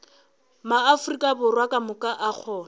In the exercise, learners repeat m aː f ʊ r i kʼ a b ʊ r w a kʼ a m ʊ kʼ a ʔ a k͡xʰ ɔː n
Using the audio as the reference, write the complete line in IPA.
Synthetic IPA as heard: m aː f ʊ r i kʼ a b ʊ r w a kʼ a m ʊ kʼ a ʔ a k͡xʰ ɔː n